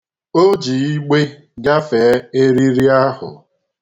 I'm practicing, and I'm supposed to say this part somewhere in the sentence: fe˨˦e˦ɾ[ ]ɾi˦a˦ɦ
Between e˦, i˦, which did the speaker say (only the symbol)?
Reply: i˦